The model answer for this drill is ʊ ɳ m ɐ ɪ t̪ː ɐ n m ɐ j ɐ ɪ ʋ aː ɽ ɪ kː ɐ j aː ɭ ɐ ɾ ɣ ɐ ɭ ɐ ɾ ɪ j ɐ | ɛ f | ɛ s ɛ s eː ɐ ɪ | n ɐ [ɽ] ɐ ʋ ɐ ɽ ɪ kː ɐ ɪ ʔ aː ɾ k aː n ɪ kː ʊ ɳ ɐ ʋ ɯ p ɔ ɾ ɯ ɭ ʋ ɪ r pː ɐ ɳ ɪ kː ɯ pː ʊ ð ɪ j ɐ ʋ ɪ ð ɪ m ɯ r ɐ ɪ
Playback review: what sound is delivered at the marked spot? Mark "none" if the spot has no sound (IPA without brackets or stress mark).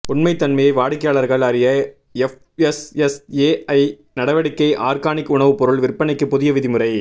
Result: ɽ